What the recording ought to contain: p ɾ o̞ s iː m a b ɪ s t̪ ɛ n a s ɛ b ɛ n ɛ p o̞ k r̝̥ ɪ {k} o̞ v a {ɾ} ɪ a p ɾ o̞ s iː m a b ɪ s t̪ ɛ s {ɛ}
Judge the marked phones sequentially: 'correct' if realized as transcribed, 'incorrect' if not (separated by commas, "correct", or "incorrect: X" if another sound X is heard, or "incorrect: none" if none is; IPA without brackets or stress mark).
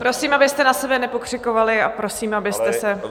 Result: correct, incorrect: l, correct